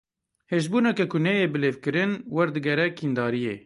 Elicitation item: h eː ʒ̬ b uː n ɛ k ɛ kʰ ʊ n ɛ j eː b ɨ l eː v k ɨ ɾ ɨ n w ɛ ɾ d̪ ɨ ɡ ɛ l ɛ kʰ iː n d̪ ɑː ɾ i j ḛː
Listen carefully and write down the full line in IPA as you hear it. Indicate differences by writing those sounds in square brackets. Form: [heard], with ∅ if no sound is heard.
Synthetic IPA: h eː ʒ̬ b uː n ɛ k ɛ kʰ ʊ n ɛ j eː b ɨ l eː v k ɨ ɾ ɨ n w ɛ ɾ d̪ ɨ ɡ ɛ [ɾ] ɛ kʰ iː n d̪ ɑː ɾ i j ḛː